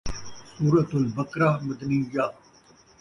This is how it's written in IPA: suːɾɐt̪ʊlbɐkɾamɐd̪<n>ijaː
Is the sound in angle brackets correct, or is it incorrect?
correct